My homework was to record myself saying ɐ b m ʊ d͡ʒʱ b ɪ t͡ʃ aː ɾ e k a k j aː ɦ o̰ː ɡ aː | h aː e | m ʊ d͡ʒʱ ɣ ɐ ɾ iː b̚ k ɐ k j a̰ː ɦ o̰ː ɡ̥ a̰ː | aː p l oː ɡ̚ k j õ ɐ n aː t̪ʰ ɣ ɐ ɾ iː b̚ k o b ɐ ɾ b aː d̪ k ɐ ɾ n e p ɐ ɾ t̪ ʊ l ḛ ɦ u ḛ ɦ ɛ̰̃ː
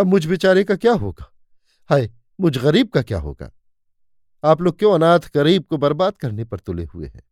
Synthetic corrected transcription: ɐ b m ʊ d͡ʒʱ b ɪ t͡ʃ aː ɾ e k a k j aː ɦ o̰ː ɡ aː | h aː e | m ʊ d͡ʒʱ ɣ ɐ ɾ iː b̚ k a k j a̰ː ɦ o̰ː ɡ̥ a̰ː | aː p l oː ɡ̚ k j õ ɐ n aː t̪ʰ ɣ ɐ ɾ iː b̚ k o b ɐ ɾ b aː d̪ k ɐ ɾ n e p ɐ ɾ t̪ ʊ l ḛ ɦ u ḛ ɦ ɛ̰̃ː